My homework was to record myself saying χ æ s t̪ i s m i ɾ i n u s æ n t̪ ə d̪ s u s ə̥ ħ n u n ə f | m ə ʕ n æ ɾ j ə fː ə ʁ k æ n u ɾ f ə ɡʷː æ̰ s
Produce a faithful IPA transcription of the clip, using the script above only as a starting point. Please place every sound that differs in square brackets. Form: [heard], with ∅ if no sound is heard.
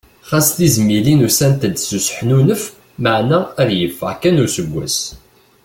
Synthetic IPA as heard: χ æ s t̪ i [z] m i [l] i n u s æ n t̪ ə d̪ s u s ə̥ ħ n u n ə f | m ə ʕ n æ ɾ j ə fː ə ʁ k æ n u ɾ [s] ə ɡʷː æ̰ s

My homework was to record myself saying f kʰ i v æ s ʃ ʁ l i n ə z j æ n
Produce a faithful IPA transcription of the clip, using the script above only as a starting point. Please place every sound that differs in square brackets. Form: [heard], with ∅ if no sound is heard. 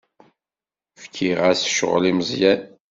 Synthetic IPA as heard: f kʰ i [ʁ] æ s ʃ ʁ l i [m] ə z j æ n

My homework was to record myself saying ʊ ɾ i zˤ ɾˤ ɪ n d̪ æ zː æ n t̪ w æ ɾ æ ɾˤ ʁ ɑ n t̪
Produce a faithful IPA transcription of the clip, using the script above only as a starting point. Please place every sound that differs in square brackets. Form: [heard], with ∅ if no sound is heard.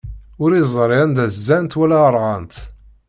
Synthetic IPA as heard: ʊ ɾ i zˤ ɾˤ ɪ n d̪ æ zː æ n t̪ w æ [l] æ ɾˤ ʁ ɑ n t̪

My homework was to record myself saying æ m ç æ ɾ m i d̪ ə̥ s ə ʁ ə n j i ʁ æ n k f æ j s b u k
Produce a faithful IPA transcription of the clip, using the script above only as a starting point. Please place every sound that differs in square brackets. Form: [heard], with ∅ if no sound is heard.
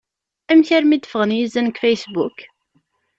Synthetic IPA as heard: æ m ç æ ɾ m i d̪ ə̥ [f] ə ʁ ə n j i [z] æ n k f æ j s b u k

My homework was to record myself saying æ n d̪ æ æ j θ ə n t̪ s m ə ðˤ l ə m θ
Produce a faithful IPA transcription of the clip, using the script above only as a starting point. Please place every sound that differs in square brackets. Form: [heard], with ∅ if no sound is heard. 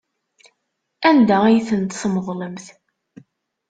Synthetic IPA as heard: æ n d̪ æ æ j θ ə n t̪ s m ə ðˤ l ə m θ

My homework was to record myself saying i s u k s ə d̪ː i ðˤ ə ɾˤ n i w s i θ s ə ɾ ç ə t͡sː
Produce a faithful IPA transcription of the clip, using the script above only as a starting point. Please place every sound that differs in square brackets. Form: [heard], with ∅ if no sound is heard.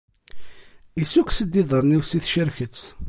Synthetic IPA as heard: i s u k s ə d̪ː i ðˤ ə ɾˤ n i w s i θ [ʃ] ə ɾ ç ə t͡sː

